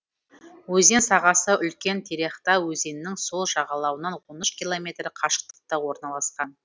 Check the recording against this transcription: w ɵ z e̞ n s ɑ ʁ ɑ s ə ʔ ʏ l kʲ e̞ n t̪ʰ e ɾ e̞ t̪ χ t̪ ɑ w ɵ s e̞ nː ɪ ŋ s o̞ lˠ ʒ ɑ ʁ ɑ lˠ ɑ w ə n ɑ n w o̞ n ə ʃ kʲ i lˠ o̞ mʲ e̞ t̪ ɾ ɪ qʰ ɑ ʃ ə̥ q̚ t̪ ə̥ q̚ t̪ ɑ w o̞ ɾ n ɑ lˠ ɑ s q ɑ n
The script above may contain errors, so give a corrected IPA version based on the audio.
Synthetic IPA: w ɵ z e̞ n s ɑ ʁ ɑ s ə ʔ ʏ l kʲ e̞ n t̪ʰ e ɾ e̞ χ t̪ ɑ w ɵ z e̞ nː ɪ ŋ s o̞ lˠ ʒ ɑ ʁ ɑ lˠ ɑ w ə n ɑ n w o̞ n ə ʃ kʲ i lˠ o̞ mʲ e̞ t̪ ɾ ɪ qʰ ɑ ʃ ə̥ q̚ t̪ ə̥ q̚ t̪ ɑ w o̞ ɾ n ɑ lˠ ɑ s q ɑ n